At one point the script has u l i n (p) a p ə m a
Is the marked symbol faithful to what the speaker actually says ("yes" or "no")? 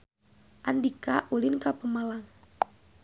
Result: no